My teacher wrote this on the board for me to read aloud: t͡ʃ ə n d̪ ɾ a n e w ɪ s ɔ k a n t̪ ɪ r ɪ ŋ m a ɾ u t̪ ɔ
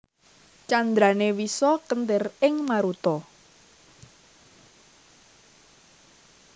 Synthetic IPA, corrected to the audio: t͡ʃ a n d̪ ɾ a n e w i s ɔ k ə n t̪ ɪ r ɪ ŋ m a ɾ u t̪ ɔ